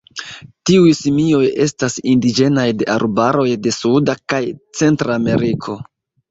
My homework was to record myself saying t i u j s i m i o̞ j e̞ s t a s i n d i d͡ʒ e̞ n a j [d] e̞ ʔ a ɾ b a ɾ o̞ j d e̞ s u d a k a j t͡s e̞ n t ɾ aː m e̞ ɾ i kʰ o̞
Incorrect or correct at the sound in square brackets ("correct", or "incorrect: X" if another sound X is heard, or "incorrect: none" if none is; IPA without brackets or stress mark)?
correct